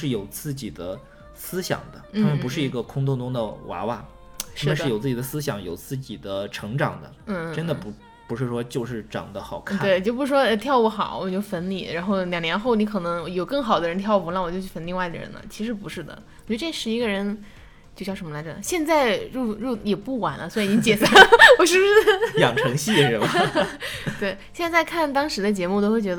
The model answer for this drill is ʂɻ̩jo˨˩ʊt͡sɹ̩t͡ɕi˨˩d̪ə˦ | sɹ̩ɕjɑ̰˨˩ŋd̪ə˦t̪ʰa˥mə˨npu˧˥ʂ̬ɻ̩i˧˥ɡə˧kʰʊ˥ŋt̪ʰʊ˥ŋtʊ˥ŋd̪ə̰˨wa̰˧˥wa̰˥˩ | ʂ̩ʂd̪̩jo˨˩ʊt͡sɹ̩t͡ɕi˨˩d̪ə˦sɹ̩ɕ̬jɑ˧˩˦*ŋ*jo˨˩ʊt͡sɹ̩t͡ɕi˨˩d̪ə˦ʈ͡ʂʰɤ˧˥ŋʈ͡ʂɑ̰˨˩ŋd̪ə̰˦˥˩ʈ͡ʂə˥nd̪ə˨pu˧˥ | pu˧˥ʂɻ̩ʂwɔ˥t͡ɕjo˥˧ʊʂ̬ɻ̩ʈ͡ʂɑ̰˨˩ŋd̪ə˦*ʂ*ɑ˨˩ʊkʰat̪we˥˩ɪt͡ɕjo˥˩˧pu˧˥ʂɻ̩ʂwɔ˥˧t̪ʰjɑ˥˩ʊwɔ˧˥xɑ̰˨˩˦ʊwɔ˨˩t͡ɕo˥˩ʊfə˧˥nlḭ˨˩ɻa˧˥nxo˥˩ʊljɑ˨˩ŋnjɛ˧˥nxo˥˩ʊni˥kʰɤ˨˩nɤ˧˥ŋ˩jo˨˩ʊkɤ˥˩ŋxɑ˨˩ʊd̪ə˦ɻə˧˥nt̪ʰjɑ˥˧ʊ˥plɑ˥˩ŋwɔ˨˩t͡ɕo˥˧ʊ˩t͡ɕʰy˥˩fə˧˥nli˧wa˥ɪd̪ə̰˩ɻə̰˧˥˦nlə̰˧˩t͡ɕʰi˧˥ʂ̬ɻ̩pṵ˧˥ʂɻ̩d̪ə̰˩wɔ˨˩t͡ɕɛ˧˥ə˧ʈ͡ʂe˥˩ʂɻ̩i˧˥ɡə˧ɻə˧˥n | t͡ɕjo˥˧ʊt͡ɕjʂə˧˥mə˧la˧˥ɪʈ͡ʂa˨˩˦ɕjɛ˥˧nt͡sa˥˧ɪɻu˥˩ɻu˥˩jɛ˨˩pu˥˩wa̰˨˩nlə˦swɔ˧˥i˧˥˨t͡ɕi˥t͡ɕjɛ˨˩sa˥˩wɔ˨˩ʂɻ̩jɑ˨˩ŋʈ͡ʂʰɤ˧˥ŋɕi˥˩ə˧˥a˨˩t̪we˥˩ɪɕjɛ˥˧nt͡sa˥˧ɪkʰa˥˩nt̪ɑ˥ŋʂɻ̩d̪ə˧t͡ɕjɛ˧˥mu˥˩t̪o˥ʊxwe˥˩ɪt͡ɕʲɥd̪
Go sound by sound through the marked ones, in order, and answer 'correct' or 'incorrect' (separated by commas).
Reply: correct, incorrect